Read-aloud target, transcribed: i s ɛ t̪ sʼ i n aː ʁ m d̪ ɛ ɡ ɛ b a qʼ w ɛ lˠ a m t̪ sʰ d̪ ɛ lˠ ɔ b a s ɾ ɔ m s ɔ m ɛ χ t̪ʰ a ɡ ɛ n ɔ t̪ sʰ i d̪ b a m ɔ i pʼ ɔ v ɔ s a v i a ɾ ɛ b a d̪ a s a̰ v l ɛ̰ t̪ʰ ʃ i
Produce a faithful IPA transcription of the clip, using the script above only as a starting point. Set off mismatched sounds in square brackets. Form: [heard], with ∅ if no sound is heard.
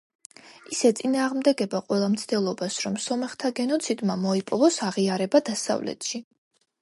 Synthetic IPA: i s ɛ t̪ sʼ i n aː ʁ m d̪ ɛ ɡ ɛ b a qʼ w ɛ lˠ a m t̪ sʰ d̪ ɛ lˠ ɔ b a s ɾ ɔ m s ɔ m ɛ χ t̪ʰ a ɡ ɛ n ɔ t̪ sʰ i d̪ [m] a m ɔ i pʼ ɔ v ɔ s a [ʁ] i a ɾ ɛ b a d̪ a s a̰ v l ɛ̰ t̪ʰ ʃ i